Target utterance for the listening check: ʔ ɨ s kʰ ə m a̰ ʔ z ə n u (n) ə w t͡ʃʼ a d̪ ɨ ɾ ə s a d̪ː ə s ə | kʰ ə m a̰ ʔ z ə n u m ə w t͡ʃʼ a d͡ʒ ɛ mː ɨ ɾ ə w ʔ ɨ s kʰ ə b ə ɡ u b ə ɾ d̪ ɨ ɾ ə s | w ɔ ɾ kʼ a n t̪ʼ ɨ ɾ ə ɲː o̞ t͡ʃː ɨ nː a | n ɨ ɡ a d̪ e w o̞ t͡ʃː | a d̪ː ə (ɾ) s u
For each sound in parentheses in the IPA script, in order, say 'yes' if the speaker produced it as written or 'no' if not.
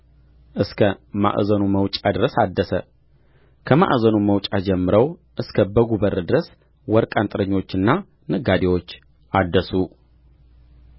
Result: no, no

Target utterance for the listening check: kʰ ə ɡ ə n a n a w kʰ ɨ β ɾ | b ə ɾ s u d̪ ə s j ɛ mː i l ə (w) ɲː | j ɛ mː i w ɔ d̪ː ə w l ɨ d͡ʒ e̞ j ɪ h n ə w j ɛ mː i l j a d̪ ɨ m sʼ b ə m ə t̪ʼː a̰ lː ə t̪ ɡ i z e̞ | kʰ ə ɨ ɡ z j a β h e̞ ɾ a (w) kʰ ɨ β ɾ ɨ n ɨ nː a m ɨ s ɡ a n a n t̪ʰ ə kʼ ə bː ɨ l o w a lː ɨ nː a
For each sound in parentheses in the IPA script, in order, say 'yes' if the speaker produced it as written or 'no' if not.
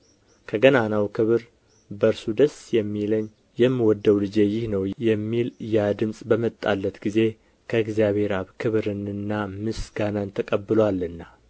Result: no, no

